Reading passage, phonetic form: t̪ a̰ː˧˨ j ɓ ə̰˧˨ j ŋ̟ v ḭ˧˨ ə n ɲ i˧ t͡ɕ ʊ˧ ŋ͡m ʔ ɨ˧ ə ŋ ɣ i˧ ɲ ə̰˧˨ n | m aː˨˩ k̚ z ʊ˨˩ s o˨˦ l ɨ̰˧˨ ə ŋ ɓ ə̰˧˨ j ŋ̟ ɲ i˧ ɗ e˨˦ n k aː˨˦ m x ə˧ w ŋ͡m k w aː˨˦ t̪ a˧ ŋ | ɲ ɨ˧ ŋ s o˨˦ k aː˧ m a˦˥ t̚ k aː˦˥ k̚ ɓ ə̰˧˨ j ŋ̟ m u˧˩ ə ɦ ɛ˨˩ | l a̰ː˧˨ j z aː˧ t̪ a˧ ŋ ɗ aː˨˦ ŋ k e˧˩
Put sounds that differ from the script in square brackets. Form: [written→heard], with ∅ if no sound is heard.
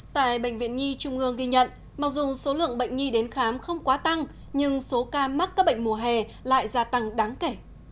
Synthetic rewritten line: t̪ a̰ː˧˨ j ɓ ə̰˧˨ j ŋ̟ v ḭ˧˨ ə n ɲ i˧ t͡ɕ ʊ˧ ŋ͡m ʔ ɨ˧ ə ŋ ɣ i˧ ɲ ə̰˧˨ n | m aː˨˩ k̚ z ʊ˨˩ s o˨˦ l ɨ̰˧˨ ə ŋ ɓ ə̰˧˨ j ŋ̟ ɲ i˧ ɗ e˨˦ n [k→x] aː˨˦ m x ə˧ w ŋ͡m k w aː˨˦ t̪ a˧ ŋ | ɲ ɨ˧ ŋ s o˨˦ k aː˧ m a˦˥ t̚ k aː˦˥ k̚ ɓ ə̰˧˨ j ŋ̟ m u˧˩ ə ɦ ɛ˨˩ | l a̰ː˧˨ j z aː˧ t̪ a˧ ŋ ɗ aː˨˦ ŋ k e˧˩